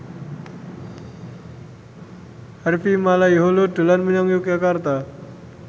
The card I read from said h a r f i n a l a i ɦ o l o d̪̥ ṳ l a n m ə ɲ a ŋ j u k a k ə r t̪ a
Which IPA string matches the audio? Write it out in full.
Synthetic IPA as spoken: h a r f i m a l a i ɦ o l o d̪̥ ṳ l a n m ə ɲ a ŋ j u k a k a r t̪ a